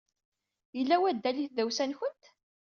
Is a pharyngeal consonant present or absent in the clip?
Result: absent